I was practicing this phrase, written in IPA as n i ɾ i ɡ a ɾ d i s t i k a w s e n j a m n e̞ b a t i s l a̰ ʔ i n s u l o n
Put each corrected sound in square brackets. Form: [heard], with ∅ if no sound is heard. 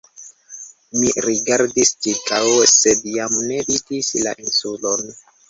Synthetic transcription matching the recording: [m] i ɾ i ɡ a ɾ d i s [t͡ʃ] i k a w s e [d] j a m n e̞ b [i] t i s l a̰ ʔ i n s u l o n